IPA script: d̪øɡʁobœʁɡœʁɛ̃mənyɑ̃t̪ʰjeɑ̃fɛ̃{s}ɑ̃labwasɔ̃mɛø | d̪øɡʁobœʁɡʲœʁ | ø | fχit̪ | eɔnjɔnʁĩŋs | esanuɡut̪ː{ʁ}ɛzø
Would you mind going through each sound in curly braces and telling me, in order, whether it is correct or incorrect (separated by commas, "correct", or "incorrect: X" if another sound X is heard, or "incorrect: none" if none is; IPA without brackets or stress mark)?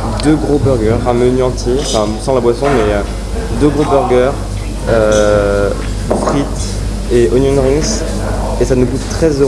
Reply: correct, incorrect: χ